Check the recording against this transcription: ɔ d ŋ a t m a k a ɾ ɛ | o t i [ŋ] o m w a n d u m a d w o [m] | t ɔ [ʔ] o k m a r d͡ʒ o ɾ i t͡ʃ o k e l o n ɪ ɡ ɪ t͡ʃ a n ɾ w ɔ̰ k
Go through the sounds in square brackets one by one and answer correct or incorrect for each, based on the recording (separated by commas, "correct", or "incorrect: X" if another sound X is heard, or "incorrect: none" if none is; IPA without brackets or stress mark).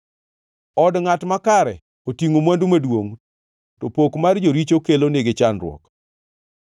correct, incorrect: ŋ, incorrect: p